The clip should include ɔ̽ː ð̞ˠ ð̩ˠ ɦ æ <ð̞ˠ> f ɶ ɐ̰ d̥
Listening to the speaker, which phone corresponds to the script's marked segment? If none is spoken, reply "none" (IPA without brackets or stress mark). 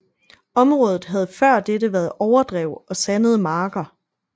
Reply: ð̞ˠ